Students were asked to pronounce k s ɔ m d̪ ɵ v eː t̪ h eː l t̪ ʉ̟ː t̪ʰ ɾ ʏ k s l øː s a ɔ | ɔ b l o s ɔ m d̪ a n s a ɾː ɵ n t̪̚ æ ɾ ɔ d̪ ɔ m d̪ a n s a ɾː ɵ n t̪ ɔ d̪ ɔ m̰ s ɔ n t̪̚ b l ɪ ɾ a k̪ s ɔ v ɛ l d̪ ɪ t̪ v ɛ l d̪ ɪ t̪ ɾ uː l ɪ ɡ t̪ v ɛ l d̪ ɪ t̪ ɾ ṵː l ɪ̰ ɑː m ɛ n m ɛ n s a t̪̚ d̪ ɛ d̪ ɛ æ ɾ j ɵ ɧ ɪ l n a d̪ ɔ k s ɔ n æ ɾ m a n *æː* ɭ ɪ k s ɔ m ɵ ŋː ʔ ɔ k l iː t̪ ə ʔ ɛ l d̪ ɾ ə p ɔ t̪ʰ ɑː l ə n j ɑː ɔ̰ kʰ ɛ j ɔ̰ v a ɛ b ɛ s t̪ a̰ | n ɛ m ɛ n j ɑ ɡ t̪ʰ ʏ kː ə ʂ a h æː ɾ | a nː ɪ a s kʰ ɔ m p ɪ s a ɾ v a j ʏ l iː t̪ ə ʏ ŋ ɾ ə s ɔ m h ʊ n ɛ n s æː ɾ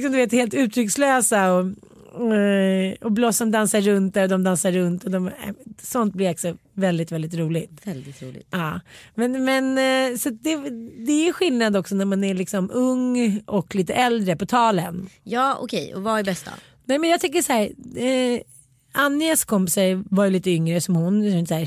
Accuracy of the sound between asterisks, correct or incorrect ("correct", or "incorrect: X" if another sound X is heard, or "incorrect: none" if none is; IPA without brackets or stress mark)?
incorrect: æ